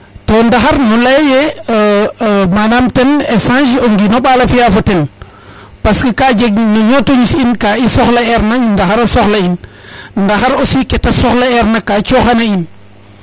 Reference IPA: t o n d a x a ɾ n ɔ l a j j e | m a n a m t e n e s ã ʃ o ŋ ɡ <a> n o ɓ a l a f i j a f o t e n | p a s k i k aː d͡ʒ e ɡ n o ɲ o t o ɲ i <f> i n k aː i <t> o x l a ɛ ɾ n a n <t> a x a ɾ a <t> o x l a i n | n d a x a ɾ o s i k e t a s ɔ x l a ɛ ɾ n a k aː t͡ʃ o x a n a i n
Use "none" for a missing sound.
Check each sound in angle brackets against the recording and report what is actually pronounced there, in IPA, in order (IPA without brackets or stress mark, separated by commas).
i, s, s, d, s